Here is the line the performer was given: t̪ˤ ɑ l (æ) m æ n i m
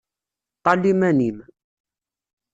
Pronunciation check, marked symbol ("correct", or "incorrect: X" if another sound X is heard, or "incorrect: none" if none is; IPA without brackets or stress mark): incorrect: i